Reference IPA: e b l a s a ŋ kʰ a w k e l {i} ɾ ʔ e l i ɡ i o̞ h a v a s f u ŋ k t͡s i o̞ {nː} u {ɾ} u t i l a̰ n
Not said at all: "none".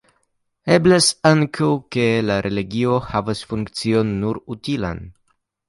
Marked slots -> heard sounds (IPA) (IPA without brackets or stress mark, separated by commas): a, nː, ɾ